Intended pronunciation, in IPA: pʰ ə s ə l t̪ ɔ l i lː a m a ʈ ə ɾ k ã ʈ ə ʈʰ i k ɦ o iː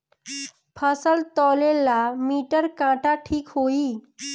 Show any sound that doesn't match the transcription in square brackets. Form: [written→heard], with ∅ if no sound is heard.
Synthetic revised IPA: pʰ ə s ə l t̪ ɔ l [i→e] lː a m [a→i] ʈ ə ɾ k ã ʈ [ə→a] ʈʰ [i→iː] k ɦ o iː